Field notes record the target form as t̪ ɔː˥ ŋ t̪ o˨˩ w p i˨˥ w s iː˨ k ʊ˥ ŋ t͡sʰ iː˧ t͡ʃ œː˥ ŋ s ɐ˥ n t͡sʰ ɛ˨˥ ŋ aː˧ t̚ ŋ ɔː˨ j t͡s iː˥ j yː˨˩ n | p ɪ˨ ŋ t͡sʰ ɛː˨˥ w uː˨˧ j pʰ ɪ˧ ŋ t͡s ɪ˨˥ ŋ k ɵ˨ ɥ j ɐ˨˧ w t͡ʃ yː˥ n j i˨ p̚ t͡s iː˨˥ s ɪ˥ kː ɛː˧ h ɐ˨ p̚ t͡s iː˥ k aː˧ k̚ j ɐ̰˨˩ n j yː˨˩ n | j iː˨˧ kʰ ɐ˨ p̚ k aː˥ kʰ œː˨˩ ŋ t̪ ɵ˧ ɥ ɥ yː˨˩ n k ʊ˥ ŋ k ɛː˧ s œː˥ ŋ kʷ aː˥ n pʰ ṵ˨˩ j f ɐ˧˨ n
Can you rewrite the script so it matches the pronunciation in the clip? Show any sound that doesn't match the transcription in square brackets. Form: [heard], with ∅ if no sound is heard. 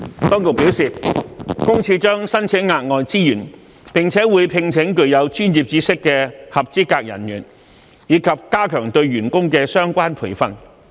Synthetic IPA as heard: t̪ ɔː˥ ŋ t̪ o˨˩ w p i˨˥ w s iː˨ k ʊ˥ ŋ t͡sʰ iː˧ t͡ʃ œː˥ ŋ s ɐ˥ n t͡sʰ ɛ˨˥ ŋ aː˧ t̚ ŋ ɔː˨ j t͡s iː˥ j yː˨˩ n | p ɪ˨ ŋ t͡sʰ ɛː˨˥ w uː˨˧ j pʰ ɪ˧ ŋ [t͡sʰ] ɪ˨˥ ŋ k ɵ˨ ɥ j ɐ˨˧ w t͡ʃ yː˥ n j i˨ p̚ t͡s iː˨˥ s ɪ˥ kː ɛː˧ h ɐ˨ p̚ t͡s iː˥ k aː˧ k̚ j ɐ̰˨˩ n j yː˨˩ n | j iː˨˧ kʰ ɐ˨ p̚ k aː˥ kʰ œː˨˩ ŋ t̪ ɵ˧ ɥ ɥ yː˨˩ n k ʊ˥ ŋ k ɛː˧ s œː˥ ŋ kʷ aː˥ n pʰ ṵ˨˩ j f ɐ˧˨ n